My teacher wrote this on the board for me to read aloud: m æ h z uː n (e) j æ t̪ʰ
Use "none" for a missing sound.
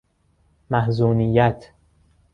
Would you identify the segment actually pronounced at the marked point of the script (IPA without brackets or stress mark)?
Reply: i